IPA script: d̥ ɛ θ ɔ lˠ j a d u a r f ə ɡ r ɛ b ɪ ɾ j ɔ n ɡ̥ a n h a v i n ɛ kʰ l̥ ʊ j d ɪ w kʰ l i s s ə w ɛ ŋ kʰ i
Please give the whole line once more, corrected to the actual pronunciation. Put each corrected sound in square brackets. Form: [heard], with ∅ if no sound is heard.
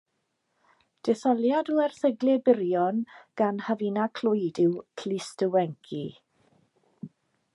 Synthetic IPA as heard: d̥ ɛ θ ɔ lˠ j a d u [ɛ] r [θ] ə ɡ [l] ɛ b ɪ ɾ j ɔ n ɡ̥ a n h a v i n [a] kʰ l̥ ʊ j d ɪ w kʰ l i s [t] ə w ɛ ŋ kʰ i